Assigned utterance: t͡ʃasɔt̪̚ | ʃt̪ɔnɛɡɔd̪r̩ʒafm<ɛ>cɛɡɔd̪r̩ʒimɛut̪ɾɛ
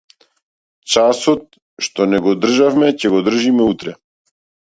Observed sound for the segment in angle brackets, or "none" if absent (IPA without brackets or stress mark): ɛ